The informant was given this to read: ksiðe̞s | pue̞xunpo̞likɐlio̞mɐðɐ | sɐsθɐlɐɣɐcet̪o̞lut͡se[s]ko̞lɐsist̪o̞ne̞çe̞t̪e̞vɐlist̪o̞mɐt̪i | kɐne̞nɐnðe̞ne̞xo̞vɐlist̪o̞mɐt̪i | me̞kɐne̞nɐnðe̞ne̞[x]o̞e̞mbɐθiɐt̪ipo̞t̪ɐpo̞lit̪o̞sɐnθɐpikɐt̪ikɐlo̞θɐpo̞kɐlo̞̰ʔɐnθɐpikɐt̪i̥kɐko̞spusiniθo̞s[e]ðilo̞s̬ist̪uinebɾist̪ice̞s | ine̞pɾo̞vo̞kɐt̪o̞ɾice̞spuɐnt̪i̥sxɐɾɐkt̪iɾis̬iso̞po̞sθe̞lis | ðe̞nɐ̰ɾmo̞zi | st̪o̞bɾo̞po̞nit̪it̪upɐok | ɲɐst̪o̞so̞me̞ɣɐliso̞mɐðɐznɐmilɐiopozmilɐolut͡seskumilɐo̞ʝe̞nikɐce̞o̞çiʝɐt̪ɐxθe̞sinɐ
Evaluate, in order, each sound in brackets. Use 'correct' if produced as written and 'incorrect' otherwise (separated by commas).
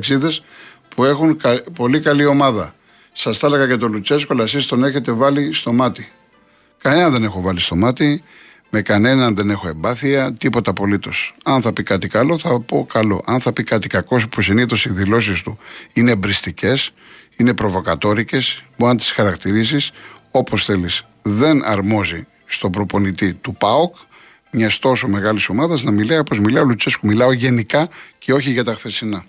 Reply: correct, correct, incorrect